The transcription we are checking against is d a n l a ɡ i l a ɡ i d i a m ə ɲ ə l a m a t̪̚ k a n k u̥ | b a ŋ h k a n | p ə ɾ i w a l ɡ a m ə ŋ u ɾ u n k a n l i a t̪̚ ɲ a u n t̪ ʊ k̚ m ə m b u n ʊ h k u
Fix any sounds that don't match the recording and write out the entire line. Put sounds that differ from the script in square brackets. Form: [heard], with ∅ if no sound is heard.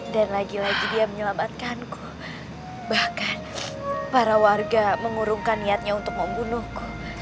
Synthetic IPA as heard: d a n l a ɡ i l a ɡ i d i a m ə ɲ ə l a m a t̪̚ k a n k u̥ | b a [∅] h k a n | p [a] ɾ [a] w a [r] ɡ a m ə ŋ u ɾ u [ŋ] k a n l i a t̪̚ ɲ a u n t̪ ʊ k̚ m ə m b u n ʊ h k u